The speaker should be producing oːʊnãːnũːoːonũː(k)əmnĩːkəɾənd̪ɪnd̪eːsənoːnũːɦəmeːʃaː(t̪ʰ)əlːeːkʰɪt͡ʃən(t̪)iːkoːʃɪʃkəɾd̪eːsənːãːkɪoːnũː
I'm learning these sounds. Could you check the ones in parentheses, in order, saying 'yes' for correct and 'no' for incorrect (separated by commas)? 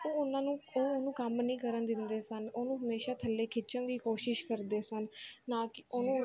yes, yes, no